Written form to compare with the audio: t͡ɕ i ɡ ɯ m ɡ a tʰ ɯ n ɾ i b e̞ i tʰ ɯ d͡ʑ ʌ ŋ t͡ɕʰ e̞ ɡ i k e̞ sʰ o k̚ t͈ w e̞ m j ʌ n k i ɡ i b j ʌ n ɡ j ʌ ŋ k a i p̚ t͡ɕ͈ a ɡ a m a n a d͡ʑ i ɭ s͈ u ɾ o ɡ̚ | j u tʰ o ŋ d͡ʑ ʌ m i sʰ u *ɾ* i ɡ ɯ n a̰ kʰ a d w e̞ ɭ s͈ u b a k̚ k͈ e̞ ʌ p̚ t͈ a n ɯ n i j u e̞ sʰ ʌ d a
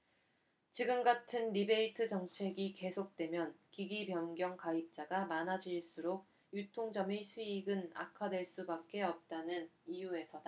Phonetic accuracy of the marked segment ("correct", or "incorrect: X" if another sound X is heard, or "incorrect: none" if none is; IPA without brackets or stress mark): incorrect: none